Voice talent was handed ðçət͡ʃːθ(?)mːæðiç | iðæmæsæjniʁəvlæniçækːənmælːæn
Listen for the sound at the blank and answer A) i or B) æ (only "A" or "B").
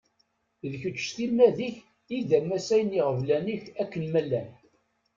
A